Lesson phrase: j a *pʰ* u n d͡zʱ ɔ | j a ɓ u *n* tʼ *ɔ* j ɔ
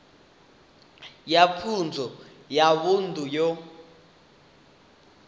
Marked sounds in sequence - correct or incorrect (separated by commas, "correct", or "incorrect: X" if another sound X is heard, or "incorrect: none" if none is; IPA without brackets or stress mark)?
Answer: correct, correct, incorrect: u